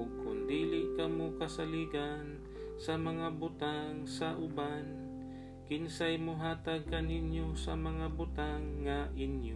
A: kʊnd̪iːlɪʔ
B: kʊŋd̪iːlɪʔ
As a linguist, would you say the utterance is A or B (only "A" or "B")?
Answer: A